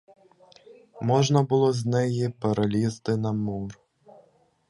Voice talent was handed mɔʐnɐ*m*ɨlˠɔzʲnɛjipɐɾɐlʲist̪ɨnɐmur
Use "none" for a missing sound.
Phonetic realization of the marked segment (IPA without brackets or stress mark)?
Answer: b